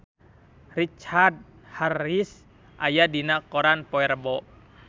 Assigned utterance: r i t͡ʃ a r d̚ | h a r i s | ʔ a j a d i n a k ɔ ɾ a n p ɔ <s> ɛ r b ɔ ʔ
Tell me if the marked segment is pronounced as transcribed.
no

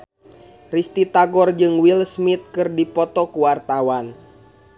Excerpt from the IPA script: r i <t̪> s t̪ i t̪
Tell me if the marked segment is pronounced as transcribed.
no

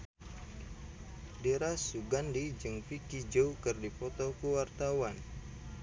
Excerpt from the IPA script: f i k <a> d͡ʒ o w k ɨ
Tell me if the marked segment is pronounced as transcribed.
no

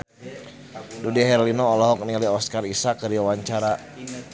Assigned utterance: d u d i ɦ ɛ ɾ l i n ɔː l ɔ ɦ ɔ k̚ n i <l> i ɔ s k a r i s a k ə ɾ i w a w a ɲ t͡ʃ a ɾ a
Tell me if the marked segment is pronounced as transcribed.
yes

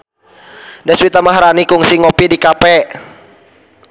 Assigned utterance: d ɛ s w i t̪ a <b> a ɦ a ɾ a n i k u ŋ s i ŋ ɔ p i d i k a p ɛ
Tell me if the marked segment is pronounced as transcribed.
no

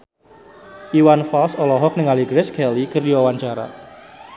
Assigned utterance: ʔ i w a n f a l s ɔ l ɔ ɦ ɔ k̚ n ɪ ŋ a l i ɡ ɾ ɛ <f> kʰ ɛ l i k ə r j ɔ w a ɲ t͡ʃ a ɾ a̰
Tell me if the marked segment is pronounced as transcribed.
no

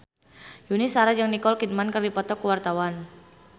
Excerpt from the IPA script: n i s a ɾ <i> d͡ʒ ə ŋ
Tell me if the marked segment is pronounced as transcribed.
no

